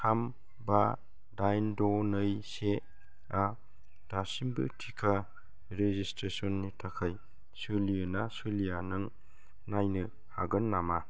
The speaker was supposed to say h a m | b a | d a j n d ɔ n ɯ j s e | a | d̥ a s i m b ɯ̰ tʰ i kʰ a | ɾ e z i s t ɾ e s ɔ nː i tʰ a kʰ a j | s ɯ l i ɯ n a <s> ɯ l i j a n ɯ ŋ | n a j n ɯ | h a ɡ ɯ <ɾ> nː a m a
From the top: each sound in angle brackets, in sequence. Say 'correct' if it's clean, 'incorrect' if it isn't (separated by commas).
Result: correct, incorrect